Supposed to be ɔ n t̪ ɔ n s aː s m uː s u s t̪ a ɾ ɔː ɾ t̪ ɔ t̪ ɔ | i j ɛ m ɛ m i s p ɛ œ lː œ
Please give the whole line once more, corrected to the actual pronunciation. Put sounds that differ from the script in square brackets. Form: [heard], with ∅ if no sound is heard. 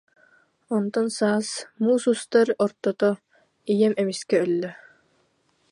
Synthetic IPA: ɔ n t̪ ɔ n s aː s m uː s u s t̪ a ɾ [ɔ] ɾ t̪ ɔ t̪ ɔ | i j ɛ m ɛ m i s [k] ɛ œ lː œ